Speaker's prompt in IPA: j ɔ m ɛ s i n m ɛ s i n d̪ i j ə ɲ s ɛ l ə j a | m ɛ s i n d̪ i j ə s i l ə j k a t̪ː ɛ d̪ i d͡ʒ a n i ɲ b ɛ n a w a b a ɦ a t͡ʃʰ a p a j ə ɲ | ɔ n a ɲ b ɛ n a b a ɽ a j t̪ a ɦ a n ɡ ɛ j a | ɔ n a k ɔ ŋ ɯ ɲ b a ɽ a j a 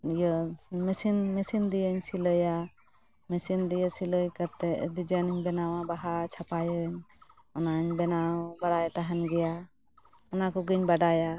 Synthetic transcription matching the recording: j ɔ m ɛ s i n m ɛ s i n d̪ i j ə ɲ s i l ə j a | m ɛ s i n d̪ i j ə s i l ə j k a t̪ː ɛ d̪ i d͡ʒ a n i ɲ b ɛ n a w a b a ɦ a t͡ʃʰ a p a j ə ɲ | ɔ n a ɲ b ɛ n a b a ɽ a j t̪ a ɦ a n ɡ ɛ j a | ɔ n a k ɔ ɡ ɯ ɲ b a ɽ a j a